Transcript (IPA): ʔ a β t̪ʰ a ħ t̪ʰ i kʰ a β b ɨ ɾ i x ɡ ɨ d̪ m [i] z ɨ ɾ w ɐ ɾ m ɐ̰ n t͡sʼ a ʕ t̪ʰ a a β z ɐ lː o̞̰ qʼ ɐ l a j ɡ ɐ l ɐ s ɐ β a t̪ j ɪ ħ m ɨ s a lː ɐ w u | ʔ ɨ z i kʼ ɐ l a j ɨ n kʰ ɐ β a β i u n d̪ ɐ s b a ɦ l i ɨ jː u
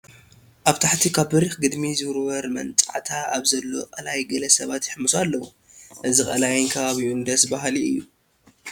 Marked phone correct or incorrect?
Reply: correct